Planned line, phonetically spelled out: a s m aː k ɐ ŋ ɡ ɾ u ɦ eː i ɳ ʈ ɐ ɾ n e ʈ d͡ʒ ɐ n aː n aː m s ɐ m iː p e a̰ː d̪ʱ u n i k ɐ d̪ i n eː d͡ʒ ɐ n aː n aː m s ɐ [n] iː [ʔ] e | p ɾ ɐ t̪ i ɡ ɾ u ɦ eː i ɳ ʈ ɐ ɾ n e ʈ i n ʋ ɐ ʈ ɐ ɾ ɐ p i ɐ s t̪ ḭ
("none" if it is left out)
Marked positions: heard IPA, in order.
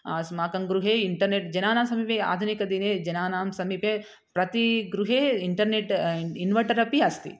m, p

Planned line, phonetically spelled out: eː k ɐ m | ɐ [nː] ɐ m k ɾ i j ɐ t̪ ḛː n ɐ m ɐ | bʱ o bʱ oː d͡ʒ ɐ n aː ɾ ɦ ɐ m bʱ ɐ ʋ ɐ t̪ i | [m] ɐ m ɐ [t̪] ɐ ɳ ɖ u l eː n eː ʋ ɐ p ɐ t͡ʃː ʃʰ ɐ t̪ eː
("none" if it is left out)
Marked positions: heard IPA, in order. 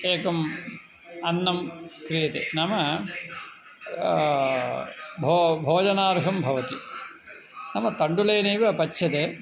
nː, n, t̪

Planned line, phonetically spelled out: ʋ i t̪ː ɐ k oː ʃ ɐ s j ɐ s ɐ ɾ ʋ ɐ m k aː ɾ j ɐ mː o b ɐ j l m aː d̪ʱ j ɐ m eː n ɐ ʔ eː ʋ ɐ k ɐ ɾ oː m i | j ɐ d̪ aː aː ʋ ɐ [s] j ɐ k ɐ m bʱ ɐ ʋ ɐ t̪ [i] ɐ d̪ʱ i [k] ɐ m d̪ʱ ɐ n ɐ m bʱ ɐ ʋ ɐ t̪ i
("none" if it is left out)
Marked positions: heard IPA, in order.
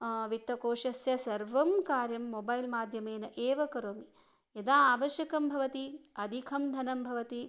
ʃ, i, kʰ

